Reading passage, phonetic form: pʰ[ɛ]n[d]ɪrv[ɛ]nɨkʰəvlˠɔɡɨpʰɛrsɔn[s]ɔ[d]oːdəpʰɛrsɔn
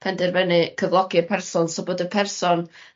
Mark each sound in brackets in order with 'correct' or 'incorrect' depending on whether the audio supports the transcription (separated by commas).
correct, correct, correct, correct, incorrect